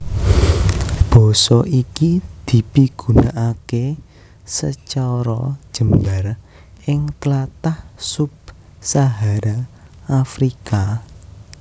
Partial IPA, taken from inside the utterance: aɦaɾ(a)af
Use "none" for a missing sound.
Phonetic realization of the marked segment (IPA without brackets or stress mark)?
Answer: a